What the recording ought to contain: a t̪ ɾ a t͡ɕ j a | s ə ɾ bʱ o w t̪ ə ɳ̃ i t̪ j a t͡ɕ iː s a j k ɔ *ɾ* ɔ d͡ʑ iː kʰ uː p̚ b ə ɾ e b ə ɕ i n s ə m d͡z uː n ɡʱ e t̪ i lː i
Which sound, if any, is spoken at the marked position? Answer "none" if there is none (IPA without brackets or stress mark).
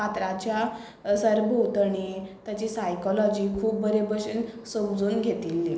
l